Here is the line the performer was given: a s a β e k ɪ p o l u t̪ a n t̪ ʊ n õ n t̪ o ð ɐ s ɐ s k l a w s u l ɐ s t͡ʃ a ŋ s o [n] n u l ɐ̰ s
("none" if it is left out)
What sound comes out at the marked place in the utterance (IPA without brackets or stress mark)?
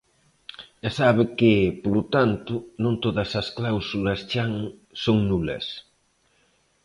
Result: ŋ